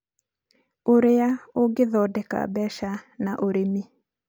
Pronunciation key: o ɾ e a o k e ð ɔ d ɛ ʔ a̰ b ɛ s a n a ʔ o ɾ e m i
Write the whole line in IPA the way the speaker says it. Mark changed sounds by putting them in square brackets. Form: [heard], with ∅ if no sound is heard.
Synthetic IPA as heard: o ɾ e a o [ɡ] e ð ɔ d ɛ [k] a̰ b ɛ [ʃ] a n a ʔ o ɾ e m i